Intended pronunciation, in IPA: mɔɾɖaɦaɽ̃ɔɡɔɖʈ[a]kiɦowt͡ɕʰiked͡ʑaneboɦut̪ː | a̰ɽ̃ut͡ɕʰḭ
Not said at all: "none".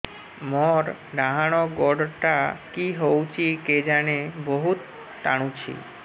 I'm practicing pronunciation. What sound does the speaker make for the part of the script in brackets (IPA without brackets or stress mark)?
a